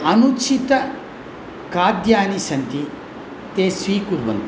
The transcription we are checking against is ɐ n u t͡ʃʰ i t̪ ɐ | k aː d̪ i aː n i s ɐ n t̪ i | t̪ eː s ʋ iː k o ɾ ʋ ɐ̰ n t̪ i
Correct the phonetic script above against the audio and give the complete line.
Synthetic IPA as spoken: ɐ n u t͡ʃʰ i t̪ ɐ | k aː d̪ j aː n i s ɐ n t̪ i | t̪ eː s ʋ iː k u ɾ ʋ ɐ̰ n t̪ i